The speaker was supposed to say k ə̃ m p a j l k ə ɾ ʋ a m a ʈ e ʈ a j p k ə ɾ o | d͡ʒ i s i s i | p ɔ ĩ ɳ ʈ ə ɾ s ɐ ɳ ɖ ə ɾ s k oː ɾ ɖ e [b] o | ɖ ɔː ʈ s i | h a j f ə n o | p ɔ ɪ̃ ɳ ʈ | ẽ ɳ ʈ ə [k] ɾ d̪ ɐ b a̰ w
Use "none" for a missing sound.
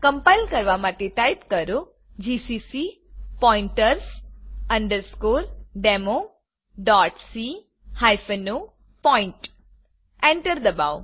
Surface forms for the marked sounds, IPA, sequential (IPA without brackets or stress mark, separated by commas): m, none